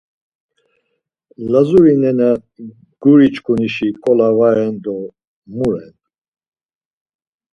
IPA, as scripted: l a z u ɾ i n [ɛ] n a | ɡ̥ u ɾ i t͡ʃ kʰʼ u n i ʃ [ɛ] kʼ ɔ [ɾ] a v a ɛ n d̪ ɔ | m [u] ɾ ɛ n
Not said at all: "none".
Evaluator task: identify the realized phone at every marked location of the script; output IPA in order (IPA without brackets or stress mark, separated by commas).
ɛ, i, l, u